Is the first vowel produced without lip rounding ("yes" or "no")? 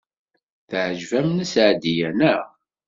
yes